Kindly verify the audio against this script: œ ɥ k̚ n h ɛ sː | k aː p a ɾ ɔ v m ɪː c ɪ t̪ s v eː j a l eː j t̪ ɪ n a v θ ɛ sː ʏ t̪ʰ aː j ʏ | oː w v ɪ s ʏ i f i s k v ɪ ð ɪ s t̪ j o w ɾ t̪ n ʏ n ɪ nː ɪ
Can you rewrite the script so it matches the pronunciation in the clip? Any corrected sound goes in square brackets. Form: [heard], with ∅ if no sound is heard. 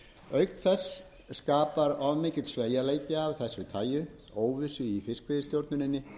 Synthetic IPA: œ ɥ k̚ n [θ] ɛ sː | k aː p a ɾ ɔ v m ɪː c ɪ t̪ s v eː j a l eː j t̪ ɪ [∅] a v θ ɛ sː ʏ t̪ʰ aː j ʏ | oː w v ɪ s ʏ i f [ɪ] s k v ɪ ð ɪ s t̪ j o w ɾ t̪ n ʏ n ɪ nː ɪ